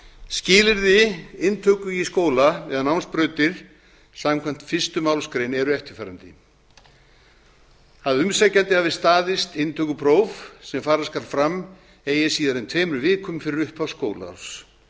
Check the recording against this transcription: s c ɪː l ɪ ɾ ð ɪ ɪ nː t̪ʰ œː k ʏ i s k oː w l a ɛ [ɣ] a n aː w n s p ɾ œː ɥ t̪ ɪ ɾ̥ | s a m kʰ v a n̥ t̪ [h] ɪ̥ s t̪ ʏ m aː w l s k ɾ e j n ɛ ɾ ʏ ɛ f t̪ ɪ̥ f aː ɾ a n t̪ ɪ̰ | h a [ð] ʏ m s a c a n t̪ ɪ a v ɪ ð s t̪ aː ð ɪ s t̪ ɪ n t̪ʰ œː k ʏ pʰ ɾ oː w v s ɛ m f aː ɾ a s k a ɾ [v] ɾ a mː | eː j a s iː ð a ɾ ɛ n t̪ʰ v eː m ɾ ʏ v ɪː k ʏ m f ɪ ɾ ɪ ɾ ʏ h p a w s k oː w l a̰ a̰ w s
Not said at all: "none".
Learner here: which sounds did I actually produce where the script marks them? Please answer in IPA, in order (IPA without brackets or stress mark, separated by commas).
ð, f, ð, f